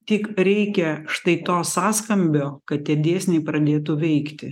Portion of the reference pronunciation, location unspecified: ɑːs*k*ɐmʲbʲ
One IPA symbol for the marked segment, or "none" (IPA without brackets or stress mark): k